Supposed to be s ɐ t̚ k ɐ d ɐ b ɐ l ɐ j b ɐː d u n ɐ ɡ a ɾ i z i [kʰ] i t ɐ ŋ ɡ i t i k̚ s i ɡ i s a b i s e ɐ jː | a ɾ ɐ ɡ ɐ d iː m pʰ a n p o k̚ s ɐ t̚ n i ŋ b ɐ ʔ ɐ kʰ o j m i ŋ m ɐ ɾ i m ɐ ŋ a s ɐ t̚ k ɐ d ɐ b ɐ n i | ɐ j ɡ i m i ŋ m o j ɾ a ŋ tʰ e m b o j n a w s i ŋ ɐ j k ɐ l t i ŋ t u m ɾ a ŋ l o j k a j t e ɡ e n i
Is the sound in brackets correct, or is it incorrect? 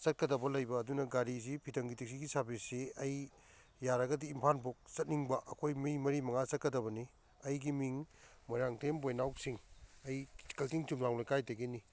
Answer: incorrect